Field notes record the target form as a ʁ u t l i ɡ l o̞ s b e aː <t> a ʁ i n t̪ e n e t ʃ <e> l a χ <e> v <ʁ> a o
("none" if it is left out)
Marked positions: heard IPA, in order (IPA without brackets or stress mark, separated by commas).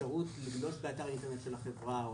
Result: t, e, e, ʁ